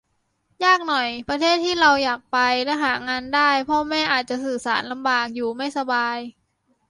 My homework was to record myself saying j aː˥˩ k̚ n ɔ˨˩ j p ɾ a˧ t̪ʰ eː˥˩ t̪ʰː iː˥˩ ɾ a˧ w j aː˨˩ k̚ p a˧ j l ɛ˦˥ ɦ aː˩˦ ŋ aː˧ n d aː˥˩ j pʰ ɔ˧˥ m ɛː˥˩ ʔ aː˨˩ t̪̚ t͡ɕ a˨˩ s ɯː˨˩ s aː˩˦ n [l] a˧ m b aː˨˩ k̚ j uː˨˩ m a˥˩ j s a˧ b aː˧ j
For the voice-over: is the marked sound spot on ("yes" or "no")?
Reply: yes